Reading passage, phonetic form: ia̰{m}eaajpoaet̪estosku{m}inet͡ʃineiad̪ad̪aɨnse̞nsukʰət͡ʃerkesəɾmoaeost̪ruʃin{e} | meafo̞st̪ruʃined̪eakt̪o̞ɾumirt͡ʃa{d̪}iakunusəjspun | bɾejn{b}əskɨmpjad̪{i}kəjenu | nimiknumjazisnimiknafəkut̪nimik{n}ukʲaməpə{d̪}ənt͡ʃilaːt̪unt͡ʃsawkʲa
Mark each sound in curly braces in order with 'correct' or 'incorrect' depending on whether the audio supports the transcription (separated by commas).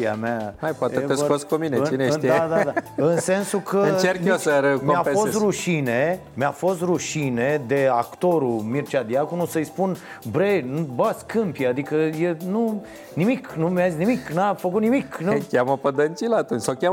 correct, correct, correct, correct, correct, correct, correct, correct